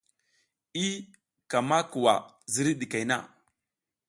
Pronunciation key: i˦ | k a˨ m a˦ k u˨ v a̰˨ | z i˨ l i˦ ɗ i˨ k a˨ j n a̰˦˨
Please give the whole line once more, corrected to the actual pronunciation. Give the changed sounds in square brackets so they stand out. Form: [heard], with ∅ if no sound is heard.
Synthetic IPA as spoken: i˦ | k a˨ m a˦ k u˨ [w] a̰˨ | z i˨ [ɾ] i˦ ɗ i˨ k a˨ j n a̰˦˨

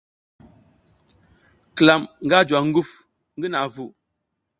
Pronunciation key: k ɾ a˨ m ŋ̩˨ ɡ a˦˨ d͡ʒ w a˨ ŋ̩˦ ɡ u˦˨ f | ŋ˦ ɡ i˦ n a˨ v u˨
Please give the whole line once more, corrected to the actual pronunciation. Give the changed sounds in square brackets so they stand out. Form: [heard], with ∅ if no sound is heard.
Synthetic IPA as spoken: k [l] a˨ m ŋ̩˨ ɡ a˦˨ d͡ʒ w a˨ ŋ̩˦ ɡ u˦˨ f | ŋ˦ ɡ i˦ n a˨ v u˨

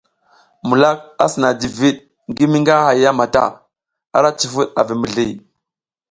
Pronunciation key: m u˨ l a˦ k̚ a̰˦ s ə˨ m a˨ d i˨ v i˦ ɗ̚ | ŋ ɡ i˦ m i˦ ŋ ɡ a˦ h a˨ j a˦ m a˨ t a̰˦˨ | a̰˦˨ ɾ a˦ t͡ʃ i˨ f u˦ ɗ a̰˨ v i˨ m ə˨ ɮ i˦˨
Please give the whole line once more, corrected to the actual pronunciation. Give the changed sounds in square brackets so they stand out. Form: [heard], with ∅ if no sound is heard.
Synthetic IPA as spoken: m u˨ l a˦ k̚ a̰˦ s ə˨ [n] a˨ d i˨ v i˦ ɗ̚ | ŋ ɡ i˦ m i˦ ŋ ɡ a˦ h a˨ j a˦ m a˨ t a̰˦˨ | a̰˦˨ ɾ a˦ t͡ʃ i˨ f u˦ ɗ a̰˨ v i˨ m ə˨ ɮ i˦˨

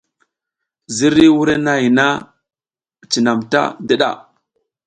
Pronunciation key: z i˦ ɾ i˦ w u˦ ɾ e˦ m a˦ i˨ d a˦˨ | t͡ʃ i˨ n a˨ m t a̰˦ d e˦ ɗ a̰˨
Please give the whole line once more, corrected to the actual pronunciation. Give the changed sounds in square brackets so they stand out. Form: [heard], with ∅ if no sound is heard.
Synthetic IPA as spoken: z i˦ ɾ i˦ w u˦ ɾ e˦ [n] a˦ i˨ [n] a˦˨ | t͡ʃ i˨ n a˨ m t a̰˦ d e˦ ɗ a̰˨

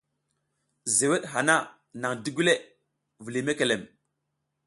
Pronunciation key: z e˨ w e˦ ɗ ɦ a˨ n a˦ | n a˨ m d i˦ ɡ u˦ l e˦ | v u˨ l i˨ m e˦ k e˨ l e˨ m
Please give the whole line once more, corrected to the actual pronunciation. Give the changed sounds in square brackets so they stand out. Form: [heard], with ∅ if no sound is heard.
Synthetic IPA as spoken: z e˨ w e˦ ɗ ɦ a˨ n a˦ | n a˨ [ŋ] d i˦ ɡ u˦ l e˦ | v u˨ l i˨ m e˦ k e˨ l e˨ m

